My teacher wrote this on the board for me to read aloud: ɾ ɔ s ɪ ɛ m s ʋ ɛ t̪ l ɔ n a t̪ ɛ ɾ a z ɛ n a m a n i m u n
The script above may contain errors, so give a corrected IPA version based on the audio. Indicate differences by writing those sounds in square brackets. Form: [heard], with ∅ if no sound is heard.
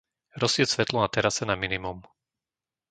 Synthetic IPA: ɾ ɔ s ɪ ɛ [∅] s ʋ ɛ t̪ l ɔ n a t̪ ɛ ɾ a [s] ɛ n a m [i] n i m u [m]

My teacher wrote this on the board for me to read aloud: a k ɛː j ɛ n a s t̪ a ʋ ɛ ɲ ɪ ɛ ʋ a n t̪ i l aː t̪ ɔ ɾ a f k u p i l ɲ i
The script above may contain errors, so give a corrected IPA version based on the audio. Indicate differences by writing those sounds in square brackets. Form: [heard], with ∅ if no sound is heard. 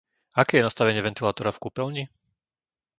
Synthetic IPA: a k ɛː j ɛ n a s t̪ a ʋ ɛ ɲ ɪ ɛ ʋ [ɛ] n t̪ i l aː t̪ ɔ ɾ a f k u p [ɛ] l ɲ i

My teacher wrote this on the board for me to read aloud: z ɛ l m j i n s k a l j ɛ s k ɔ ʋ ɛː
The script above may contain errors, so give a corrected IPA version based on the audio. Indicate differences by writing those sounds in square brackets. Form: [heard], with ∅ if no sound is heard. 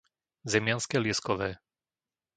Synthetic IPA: z ɛ [∅] m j [a] n s k [ɛ] l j ɛ s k ɔ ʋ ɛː

